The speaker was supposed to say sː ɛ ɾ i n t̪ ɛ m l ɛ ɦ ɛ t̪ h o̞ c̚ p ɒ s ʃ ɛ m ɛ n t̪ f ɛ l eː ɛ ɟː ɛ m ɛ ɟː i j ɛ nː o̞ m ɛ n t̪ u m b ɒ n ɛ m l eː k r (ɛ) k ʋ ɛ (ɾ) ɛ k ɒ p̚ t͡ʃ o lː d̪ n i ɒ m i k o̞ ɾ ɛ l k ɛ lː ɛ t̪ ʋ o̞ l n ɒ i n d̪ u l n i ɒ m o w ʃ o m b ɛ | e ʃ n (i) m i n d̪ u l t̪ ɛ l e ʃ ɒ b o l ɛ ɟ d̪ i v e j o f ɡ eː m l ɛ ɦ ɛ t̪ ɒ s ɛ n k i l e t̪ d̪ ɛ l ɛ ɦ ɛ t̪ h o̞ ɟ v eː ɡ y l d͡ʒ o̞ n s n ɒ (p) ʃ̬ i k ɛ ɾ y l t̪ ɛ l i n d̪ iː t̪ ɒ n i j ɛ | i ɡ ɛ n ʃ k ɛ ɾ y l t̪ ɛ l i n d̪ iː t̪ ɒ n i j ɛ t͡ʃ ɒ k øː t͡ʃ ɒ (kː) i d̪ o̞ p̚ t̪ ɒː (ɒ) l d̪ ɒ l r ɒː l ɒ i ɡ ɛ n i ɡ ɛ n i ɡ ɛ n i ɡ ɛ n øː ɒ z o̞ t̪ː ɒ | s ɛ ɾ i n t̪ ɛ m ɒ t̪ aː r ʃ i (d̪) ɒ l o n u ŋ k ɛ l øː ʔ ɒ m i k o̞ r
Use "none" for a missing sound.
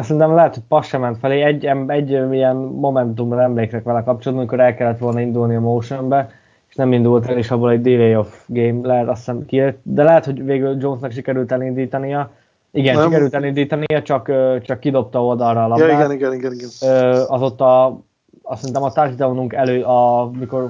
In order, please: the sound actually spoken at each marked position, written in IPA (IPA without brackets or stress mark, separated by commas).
ɛ, l, ɛ, k, kː, o, d̪